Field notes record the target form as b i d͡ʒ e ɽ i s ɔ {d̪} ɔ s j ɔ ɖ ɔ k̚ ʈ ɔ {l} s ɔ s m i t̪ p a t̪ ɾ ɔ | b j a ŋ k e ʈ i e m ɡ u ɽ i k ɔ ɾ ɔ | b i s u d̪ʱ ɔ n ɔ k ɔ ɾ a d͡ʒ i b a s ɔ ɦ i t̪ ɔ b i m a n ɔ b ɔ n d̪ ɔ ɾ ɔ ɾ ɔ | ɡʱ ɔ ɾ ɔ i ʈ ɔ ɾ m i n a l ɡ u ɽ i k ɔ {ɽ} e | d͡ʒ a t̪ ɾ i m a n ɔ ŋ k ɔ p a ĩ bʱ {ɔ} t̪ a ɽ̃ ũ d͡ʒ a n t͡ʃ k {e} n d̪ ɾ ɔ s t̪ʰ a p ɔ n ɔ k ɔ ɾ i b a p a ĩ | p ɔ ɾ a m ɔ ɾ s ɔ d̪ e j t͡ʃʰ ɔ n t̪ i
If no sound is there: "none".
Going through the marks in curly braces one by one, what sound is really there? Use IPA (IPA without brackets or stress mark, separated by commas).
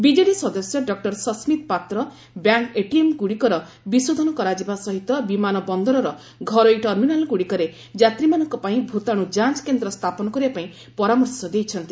d̪, ɾ, ɾ, u, e